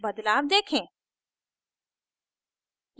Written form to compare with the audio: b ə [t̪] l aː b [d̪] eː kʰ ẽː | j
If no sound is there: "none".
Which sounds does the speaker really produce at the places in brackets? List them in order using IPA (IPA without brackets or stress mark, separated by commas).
d̪, d̪